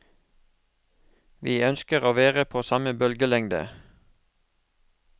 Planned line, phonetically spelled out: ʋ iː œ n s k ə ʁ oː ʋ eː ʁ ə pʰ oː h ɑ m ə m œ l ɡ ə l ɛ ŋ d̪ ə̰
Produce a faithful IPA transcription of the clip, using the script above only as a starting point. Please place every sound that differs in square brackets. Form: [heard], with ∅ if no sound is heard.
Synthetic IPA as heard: ʋ iː œ n s k ə ʁ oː ʋ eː ʁ ə pʰ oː [s] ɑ m ə [b] œ l ɡ ə l ɛ ŋ d̪ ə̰